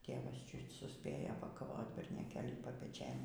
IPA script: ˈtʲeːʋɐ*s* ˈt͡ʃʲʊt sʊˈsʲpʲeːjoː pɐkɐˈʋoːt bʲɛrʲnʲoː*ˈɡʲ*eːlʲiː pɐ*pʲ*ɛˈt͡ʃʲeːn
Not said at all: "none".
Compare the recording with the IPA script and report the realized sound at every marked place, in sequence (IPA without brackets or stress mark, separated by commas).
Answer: s, kʲ, pʲ